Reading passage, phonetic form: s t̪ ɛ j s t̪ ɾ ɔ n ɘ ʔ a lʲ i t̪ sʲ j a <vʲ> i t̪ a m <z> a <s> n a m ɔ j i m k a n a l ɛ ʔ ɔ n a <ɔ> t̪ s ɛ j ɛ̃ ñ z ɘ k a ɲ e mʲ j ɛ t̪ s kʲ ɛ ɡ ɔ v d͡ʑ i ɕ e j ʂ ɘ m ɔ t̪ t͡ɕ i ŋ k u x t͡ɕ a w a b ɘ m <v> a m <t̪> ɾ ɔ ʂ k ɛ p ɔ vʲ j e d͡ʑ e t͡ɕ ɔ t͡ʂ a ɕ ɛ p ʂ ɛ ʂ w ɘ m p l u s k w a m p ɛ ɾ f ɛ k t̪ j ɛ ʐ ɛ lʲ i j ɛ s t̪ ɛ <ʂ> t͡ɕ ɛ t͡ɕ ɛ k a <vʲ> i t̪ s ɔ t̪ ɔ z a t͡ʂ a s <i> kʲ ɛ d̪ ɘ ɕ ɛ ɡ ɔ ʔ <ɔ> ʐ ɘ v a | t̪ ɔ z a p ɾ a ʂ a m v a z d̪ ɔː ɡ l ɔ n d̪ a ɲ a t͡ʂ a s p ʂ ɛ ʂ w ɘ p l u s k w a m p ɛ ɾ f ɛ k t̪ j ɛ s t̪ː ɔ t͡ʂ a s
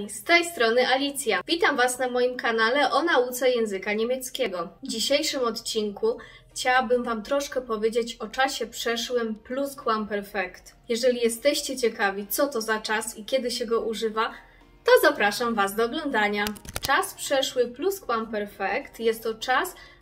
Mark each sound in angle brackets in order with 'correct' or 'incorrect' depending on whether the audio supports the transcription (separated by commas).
correct, incorrect, correct, incorrect, correct, correct, incorrect, correct, correct, incorrect